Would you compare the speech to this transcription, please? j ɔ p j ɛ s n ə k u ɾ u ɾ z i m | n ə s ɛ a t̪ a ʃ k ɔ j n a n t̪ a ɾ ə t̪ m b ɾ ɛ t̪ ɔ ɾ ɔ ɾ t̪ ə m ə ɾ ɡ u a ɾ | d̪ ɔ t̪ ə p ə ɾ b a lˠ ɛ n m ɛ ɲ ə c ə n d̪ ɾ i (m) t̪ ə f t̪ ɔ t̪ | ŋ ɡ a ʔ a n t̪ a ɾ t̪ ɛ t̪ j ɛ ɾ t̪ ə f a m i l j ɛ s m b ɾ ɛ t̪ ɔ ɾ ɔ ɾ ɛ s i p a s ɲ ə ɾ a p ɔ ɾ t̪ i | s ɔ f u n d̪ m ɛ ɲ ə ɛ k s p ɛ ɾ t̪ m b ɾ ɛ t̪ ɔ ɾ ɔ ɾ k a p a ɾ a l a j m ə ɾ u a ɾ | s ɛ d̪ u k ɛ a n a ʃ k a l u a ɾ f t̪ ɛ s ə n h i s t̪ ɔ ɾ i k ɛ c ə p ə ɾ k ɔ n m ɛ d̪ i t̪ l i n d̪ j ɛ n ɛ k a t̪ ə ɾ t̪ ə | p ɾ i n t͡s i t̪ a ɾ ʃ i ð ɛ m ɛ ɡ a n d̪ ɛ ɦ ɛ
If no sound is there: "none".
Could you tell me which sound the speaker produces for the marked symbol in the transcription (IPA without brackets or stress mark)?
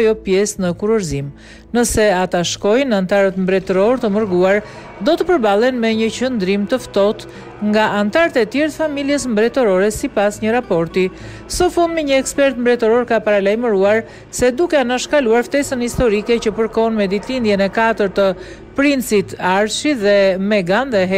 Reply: m